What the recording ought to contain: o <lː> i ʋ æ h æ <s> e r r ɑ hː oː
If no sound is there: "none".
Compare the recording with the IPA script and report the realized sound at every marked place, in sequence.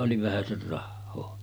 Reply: l, s

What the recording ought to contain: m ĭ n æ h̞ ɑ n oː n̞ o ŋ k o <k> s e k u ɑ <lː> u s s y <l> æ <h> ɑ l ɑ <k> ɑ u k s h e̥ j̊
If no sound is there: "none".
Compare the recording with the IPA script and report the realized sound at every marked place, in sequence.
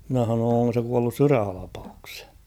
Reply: none, lː, r, h, p

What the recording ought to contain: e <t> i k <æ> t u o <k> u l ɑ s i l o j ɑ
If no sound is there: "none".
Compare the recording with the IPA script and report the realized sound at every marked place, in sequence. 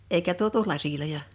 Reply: none, æ, t

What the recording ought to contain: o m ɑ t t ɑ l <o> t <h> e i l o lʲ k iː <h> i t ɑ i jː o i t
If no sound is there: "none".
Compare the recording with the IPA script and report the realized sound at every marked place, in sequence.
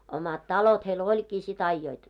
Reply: o, h, s

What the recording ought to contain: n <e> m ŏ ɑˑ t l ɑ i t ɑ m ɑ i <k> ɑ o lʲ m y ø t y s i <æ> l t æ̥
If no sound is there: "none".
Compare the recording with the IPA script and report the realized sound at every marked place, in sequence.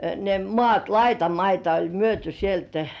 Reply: e, t, e

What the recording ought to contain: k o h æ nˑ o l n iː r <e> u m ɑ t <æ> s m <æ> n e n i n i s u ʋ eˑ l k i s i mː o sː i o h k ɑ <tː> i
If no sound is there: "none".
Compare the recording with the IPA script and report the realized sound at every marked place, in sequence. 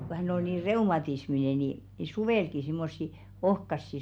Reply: e, i, i, sː

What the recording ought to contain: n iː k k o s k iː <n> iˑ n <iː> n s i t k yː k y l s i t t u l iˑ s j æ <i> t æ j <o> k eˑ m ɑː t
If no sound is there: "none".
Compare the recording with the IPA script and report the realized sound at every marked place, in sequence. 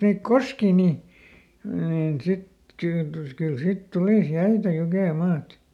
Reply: n, iː, i, u

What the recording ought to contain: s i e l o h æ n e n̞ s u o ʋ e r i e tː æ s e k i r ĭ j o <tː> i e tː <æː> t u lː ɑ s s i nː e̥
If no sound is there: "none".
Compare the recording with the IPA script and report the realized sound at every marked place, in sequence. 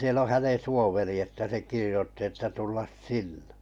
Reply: tː, æ

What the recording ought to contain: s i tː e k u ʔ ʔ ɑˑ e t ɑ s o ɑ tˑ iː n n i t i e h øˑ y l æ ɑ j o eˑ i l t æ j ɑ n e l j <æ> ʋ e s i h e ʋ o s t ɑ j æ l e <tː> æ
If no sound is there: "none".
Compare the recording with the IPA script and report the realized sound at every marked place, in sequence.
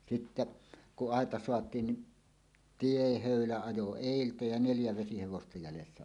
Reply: æ, sː

